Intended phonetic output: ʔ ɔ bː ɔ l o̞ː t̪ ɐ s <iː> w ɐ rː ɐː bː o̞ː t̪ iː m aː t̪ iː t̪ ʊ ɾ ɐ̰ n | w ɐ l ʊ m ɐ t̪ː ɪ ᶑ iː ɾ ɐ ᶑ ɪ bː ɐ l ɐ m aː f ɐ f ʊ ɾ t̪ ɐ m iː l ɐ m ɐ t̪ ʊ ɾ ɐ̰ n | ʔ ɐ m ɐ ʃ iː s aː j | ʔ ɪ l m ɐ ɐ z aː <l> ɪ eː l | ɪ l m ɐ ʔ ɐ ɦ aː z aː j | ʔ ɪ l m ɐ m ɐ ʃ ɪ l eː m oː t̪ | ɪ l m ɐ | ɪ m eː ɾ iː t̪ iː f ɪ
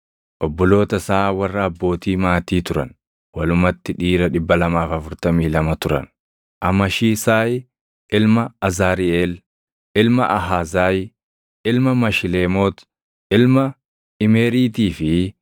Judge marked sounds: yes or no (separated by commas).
no, no